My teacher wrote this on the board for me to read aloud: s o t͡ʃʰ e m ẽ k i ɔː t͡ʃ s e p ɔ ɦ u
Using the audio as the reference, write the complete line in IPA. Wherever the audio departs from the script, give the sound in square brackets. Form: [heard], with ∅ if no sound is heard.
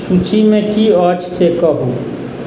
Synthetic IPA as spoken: s [u] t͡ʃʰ [i] m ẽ k i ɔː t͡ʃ s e [k] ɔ ɦ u